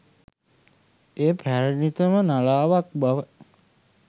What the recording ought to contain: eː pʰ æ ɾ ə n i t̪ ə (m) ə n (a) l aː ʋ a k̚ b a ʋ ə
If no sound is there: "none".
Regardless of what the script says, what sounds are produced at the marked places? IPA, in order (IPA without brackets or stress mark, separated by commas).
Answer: m, a